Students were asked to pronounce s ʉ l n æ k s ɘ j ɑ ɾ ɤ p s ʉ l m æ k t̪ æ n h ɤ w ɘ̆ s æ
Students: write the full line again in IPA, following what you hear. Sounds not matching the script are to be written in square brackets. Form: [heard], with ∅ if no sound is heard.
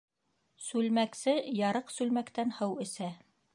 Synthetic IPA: s ʉ l [m] æ k s ɘ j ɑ ɾ ɤ [q] s ʉ l m æ k t̪ æ n h ɤ w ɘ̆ s æ